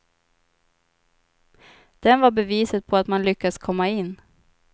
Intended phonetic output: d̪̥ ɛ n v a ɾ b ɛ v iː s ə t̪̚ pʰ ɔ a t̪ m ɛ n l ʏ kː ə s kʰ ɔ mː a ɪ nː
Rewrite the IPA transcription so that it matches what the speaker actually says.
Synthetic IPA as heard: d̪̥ ɛ n v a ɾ b ɛ v iː s ə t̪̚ pʰ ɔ a t̪ m a n l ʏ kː a s kʰ ɔ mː a ɪ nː